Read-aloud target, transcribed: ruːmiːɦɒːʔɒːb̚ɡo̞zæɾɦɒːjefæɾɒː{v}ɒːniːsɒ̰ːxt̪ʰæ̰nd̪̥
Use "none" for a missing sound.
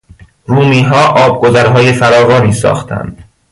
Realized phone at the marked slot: ɣ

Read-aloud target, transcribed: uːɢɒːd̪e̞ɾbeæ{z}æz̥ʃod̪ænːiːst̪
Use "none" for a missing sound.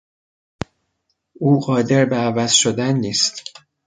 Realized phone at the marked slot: v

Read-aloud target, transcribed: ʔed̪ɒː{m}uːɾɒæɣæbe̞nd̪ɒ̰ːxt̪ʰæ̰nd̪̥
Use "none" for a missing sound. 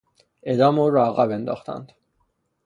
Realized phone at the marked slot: m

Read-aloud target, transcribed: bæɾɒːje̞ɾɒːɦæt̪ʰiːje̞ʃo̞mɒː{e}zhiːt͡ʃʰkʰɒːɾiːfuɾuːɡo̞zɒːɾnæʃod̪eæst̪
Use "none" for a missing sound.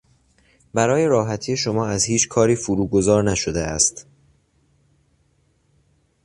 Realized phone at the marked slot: æ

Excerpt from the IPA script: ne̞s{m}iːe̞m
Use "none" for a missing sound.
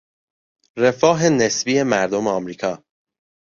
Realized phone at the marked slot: b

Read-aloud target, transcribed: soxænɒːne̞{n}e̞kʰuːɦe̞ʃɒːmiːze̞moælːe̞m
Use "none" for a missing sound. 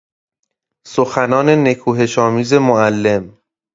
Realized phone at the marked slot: n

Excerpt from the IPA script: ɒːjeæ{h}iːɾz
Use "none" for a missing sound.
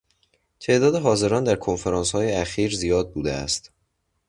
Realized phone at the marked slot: x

